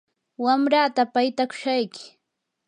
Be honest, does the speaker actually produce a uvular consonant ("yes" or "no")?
no